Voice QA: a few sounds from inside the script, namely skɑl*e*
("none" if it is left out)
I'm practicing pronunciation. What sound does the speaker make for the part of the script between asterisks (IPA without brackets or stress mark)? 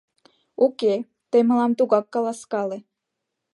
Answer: e